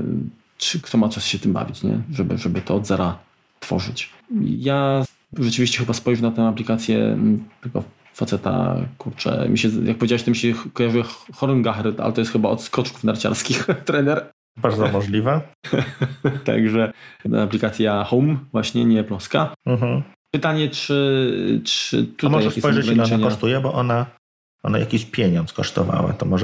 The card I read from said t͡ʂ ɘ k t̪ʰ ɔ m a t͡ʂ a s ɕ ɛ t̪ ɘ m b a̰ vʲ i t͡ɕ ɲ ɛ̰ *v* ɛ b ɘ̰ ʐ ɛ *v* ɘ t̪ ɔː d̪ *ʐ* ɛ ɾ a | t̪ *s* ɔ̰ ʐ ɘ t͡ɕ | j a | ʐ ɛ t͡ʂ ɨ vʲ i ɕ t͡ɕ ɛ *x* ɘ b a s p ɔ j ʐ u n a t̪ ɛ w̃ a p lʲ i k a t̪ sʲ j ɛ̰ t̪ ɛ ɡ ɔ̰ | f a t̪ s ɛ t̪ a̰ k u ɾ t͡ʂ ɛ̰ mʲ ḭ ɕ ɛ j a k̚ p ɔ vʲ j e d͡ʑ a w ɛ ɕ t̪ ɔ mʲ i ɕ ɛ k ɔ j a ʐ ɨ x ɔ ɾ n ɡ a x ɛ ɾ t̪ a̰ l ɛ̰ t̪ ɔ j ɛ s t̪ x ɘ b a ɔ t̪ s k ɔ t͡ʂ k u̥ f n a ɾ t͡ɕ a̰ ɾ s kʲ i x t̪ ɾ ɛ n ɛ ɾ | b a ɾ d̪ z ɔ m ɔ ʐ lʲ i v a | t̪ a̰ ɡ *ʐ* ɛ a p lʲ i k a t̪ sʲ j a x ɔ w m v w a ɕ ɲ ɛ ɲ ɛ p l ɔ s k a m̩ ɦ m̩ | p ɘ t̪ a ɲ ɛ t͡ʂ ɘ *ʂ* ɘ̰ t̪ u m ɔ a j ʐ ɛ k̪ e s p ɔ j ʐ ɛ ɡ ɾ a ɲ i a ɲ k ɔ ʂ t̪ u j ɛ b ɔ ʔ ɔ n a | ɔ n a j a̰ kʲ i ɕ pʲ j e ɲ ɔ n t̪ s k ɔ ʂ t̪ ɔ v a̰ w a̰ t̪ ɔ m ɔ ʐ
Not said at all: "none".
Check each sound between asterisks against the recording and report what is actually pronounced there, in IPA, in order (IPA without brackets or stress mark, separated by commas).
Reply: ʐ, b, z, f, x, ʐ, t͡ʂ